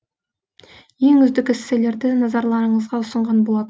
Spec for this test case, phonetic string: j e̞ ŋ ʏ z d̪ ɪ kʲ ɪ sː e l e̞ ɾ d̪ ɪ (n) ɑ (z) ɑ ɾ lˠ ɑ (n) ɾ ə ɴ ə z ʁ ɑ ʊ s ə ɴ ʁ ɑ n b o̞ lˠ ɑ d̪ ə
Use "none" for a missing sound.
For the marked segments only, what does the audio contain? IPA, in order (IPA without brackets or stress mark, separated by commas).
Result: n, z, none